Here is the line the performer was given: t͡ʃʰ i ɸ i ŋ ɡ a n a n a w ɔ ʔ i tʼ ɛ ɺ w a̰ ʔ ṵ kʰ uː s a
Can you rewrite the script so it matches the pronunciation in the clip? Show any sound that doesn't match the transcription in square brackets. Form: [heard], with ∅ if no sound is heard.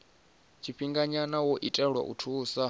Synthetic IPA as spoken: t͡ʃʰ i ɸ i ŋ ɡ a [ɲ] a n a w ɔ ʔ i tʼ ɛ ɺ w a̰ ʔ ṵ [tʰ] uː s a